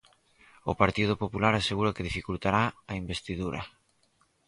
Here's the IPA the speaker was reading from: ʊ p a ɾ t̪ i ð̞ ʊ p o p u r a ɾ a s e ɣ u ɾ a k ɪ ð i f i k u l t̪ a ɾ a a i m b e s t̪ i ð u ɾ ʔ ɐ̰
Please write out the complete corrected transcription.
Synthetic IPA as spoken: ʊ p a ɾ t̪ i ð̞ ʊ p o p u l a ɾ a s e ɣ u ɾ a k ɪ ð i f i k u l t̪ a ɾ a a i m b e s t̪ i ð u ɾ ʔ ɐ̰

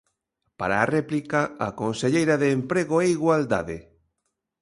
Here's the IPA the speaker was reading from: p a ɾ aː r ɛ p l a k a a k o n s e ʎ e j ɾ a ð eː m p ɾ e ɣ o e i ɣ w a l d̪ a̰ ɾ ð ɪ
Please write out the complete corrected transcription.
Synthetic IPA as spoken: p a ɾ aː r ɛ p l i k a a k o n s e ʎ e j ɾ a ð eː m p ɾ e ɣ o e i ɣ w a l d̪ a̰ ð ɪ

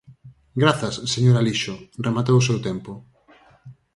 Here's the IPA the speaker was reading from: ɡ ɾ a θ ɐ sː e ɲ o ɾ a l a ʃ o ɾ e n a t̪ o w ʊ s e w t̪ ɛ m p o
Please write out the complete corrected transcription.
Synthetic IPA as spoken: ɡ ɾ a θ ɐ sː e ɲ o ɾ a l i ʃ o r e m a t̪ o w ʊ s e w t̪ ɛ m p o

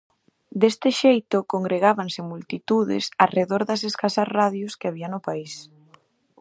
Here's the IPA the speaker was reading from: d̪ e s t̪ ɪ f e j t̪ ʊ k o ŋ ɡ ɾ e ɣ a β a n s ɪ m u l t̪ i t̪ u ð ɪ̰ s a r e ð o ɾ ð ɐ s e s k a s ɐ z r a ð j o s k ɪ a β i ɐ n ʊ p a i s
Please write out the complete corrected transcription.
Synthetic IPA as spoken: d̪ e s t̪ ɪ ʃ e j t̪ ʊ k o ŋ ɡ ɾ e ɣ a β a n s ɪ m u l t̪ i t̪ u ð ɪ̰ s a r e ð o ɾ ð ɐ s e s k a s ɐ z r a ð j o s k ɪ a β i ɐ n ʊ p a i s

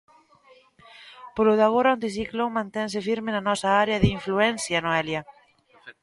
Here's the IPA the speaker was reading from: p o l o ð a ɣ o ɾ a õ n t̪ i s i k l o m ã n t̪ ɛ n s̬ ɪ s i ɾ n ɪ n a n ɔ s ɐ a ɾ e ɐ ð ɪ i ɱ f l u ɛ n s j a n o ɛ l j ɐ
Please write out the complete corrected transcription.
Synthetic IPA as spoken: p o l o ð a ɣ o ɾ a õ n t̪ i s i k l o m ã n t̪ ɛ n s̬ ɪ f i ɾ m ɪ n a n ɔ s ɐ a ɾ e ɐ ð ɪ i ɱ f l u ɛ n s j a n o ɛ l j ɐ

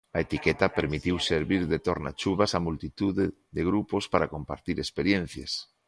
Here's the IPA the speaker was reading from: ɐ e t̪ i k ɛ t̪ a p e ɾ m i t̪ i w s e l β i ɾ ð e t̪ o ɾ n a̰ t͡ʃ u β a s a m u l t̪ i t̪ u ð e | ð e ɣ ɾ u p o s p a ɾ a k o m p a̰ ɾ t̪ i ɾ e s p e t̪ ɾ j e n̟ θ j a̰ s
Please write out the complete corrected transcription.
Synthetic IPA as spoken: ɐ e t̪ i k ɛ t̪ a p e ɾ m i t̪ i w s e ɾ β i ɾ ð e t̪ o ɾ n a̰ t͡ʃ u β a s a m u l t̪ i t̪ u ð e | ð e ɣ ɾ u p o s p a ɾ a k o m p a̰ ɾ t̪ i ɾ e s p e ɾ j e n̟ θ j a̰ s

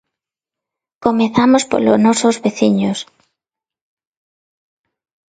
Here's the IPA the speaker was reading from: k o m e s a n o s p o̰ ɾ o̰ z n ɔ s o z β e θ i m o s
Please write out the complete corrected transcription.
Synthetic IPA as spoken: k o m e θ a m o s p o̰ l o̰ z n ɔ s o z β e θ i ɲ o s

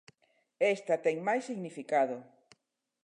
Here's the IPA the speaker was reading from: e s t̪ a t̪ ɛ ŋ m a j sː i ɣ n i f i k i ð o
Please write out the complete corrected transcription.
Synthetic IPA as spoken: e s t̪ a t̪ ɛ ŋ m a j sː i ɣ n i f i k a ð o

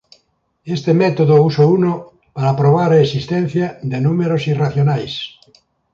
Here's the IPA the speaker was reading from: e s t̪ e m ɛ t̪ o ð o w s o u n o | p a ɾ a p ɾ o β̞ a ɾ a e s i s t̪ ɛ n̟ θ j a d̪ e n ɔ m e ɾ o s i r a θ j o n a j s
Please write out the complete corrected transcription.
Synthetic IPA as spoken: e s t̪ e m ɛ t̪ o ð o u s o u n o | p a ɾ a p ɾ o β̞ a ɾ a e s i s t̪ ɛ n̟ θ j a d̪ e n u m e ɾ o s i r a θ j o n a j s

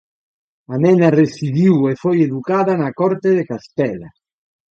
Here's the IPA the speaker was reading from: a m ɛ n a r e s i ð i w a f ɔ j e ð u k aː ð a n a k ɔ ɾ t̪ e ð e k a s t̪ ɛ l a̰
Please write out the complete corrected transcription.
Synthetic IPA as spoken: a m ɛ n a r e s i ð i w e f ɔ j e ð u k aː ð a n a k ɔ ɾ t̪ e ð e k a s t̪ ɛ l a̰

